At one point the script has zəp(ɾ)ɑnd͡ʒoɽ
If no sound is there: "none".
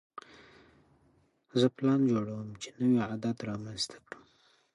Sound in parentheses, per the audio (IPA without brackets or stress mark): l